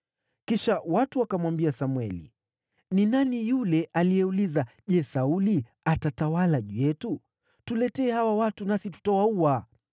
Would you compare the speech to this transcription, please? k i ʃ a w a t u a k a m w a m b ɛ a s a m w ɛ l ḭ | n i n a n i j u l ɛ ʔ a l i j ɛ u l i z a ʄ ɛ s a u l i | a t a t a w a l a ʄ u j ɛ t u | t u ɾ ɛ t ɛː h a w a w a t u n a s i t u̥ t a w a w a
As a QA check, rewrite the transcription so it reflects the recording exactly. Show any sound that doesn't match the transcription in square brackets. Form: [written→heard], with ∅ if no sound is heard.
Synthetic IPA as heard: k i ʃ a w a t u a k a m w a m b [ɛ→i] a s a m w ɛ l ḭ | n i n a n i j u l ɛ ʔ a l i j ɛ u l i z a ʄ ɛ s a u l i | a t a t a w a l a ʄ u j ɛ t u | t u [ɾ→l] ɛ t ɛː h a w a w a t u n a s i t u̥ t a w a [w→u] a